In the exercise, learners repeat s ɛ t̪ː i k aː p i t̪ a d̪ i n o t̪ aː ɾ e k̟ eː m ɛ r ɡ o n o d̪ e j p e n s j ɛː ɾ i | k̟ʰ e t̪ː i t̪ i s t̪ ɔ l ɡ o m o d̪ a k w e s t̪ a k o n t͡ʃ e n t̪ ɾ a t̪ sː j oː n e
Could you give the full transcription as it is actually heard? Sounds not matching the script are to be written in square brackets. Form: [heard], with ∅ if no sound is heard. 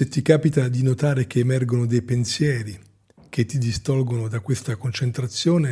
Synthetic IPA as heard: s [e] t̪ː i k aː p i t̪ a d̪ i n o t̪ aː ɾ e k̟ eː m ɛ r ɡ o n o d̪ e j p e n s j ɛː ɾ i | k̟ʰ e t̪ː i [d̪] i s t̪ ɔ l ɡ o [n] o d̪ a k w e s t̪ a k o n t͡ʃ e n t̪ ɾ a t̪ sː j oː n e

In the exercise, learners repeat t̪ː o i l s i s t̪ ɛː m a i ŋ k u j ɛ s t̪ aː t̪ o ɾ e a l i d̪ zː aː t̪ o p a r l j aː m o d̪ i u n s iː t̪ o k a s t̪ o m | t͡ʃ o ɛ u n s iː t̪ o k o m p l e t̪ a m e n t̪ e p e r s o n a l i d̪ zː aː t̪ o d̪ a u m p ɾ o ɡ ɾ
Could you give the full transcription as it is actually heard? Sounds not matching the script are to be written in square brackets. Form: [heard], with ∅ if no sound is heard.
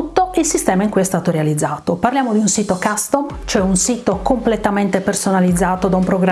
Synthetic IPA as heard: t̪ː o i l s i s t̪ ɛː m a i ŋ k u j ɛ s t̪ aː t̪ o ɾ e a l i d̪ zː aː t̪ o p a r l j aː m o d̪ i u n s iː t̪ o k a s t̪ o m | t͡ʃ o ɛ u n s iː t̪ o k o m p l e t̪ a m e n t̪ e p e r s o n a l i d̪ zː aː t̪ o d̪ a u m p ɾ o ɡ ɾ

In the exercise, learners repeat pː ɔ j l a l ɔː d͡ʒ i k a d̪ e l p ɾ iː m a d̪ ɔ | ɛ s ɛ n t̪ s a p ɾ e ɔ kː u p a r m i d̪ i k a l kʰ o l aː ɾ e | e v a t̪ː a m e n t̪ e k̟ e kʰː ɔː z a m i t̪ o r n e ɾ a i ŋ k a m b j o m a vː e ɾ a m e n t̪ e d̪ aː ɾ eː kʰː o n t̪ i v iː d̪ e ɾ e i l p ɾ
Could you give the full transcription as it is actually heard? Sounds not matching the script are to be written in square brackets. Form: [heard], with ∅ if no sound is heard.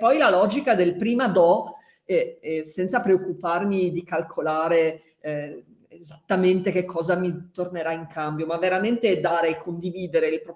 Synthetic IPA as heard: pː ɔ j l a l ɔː d͡ʒ i k a d̪ e l p ɾ iː m a d̪ ɔ | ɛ s ɛ n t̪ s a p ɾ e [o] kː u p a r m i d̪ i k a l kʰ o l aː ɾ e | e [z] a t̪ː a m e n t̪ e k̟ e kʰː ɔː z a m i t̪ o r n e ɾ a i ŋ k a m b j o m a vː e ɾ a m e n t̪ e d̪ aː ɾ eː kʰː o n [d̪] i v iː d̪ e ɾ e i l p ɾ

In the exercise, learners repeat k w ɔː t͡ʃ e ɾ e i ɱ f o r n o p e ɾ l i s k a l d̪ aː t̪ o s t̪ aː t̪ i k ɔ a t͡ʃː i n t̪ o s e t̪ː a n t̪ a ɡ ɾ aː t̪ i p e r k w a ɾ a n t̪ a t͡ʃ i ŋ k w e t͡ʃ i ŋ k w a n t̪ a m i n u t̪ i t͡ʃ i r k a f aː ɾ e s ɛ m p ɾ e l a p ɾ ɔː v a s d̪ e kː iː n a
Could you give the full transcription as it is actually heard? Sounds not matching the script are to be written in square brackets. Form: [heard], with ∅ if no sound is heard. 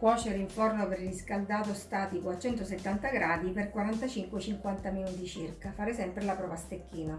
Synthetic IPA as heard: k w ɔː t͡ʃ e ɾ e i ɱ f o r n o p e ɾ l i s k a l d̪ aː t̪ o s t̪ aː t̪ i k [o] a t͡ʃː [ɛ] n t̪ o s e t̪ː a n t̪ a ɡ ɾ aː [d̪] i p e r k w a ɾ a n t̪ a t͡ʃ i ŋ k w e t͡ʃ i ŋ k w a n t̪ a m i n u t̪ i t͡ʃ i r k a f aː ɾ e s ɛ m p ɾ e l a p ɾ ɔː v a s [t̪] e kː iː n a

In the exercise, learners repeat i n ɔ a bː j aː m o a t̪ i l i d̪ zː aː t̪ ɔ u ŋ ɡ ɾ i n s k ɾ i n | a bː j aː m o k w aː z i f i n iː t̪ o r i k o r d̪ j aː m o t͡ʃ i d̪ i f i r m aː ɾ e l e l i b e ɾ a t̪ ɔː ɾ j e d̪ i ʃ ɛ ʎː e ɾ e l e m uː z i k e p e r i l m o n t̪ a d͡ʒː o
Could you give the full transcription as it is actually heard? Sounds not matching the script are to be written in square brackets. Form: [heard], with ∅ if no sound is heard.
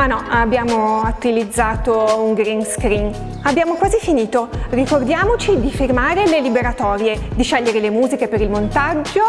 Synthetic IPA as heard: [a] n ɔ a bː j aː m o a t̪ i l i d̪ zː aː t̪ [o] u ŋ ɡ ɾ i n s k ɾ i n | a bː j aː m o k w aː z i f i n iː t̪ o r i k o r d̪ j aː m o t͡ʃ i d̪ i f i r m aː ɾ e l e l i b e ɾ a t̪ ɔː ɾ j e d̪ i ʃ ɛ ʎː e ɾ e l e m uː z i k e p e [ɾ] i l m o n t̪ a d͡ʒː o

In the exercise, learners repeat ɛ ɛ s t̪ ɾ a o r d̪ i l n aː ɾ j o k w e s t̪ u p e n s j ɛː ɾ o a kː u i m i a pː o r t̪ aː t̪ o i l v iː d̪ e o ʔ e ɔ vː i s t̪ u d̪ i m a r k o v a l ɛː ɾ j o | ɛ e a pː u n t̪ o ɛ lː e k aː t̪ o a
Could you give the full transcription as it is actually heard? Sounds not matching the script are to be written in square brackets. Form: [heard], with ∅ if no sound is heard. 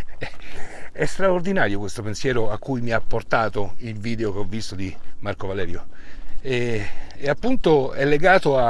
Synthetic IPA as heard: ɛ ɛ s t̪ ɾ a o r d̪ i [∅] n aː ɾ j o k w e s t̪ [o] p e n s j ɛː ɾ o a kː u [j] m i a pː o r t̪ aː t̪ o i l v iː d̪ e o [k] e ɔ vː i s t̪ [o] d̪ i m a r k o v a l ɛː ɾ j o | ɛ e a pː u n t̪ o ɛ lː e [ɡ] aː t̪ o a

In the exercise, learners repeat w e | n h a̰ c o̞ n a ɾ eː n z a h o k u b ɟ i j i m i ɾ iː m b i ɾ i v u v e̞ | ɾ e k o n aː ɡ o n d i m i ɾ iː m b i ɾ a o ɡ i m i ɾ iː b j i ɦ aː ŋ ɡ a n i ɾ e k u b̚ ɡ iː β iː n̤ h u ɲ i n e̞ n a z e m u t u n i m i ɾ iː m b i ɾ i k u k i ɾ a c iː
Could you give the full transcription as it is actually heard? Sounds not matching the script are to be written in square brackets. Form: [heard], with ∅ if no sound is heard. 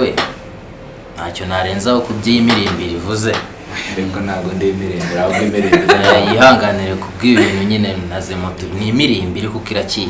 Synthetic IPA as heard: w e | n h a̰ c o̞ n a ɾ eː n z a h o k u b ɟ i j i m i ɾ iː m b i ɾ i v u [z] e̞ | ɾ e k o n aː ɡ o n d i m i ɾ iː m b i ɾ a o ɡ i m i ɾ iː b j i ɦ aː ŋ ɡ a n i ɾ e k u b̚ ɡ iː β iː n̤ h u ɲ i n e̞ n a z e m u t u n i m i ɾ iː m b i ɾ i k u k i ɾ a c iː

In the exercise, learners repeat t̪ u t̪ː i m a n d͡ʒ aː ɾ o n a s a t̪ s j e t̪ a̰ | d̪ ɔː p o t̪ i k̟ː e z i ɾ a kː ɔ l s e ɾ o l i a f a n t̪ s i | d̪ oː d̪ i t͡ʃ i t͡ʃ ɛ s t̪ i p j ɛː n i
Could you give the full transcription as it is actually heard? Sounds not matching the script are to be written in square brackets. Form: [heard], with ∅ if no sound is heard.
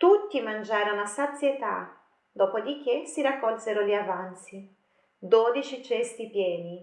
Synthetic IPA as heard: t̪ u t̪ː i m a n d͡ʒ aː ɾ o n a s a t̪ s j e t̪ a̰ | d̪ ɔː p o [d̪] i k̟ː e [s] i ɾ a kː ɔ l s e ɾ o l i a [v] a n t̪ s i | d̪ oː d̪ i t͡ʃ i t͡ʃ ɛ s t̪ i p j ɛː n i

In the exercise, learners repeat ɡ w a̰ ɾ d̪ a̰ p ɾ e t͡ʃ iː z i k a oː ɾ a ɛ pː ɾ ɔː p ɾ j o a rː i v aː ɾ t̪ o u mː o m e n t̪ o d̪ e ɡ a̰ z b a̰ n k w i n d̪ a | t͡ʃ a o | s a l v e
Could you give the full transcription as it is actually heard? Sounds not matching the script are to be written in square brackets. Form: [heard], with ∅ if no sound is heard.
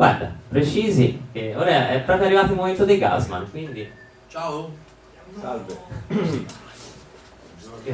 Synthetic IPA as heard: ɡ w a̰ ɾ d̪ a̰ p ɾ e t͡ʃ iː z i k [e] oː ɾ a ɛ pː ɾ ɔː p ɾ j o a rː i v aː [∅] t̪ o u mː o m e n t̪ o d̪ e ɡ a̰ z [m] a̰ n k w i n d̪ [i] | t͡ʃ a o | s a l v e

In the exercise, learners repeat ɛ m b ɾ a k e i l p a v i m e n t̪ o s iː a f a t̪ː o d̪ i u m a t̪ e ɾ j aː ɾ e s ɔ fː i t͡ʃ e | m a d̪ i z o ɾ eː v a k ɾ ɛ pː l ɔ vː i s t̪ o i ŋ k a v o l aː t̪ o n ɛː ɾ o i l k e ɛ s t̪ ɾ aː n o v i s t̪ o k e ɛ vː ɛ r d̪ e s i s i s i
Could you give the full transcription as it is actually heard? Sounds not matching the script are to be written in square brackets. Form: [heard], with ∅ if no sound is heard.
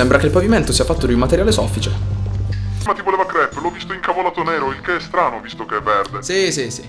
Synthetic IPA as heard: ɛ m b ɾ a k e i l p a v i m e n t̪ o s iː a f a t̪ː o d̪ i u m a t̪ e ɾ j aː [l] e s ɔ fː i t͡ʃ e | m a [t̪] i [v] o [l] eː v a k ɾ ɛ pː l ɔ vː i s t̪ o i ŋ k a v o l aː t̪ o n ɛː ɾ o i l k e ɛ s t̪ ɾ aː n o v i s t̪ o k e ɛ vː ɛ r d̪ e s i s i s i

